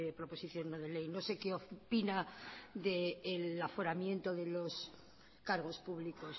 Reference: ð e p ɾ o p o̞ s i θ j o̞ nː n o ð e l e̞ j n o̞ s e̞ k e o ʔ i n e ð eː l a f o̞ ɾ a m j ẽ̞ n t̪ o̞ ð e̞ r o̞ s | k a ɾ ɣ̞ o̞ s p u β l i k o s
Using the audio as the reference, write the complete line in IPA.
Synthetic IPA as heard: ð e p ɾ o p o̞ s i θ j o̞ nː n o ð e l e̞ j n o̞ s e̞ k e o p i n a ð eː l a f o̞ ɾ a m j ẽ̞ n t̪ o̞ ð e̞ l o̞ s | k a ɾ ɣ̞ o̞ s p u β l i k o s